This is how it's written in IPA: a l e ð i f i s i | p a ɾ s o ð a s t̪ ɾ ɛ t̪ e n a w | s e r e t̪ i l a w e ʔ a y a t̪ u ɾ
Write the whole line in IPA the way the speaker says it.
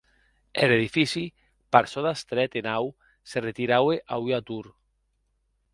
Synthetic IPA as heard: e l e ð i f i s i | p a ɾ s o ð a s t̪ ɾ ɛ t̪ e n a w | s e r e t̪ i ɾ a w e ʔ a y a t̪ u ɾ